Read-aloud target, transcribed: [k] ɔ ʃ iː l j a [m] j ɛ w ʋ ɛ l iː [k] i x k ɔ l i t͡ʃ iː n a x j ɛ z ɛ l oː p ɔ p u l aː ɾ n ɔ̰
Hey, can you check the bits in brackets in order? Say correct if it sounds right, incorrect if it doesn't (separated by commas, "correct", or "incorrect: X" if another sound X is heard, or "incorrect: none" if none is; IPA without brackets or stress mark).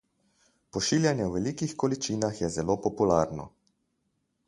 incorrect: p, incorrect: n, correct